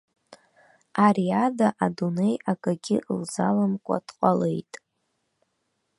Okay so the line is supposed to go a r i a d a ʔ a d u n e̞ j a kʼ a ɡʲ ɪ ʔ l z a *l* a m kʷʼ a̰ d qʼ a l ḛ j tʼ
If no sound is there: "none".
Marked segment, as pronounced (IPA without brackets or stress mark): l